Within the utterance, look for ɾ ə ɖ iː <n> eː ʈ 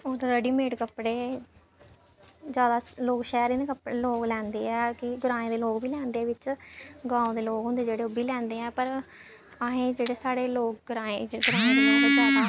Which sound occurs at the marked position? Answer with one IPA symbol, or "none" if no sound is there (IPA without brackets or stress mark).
m